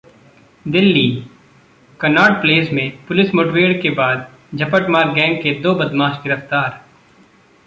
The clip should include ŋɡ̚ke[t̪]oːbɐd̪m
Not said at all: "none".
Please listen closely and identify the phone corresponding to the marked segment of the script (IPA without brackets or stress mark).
d̪